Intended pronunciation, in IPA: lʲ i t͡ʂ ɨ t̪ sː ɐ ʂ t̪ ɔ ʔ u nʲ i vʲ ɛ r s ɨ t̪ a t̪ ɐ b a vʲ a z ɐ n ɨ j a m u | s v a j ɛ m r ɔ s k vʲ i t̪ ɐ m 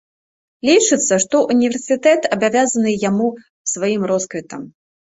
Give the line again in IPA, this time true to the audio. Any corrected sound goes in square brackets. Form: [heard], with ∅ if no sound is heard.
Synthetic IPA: lʲ i t͡ʂ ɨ t̪ sː ɐ ʂ t̪ ɔ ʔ u nʲ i vʲ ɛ r s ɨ t̪ [ɛ] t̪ ɐ b a vʲ a z ɐ n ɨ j a m u | s v a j [i] m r ɔ s k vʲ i t̪ ɐ m